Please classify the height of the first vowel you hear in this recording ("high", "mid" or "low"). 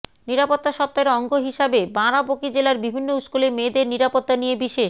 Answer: high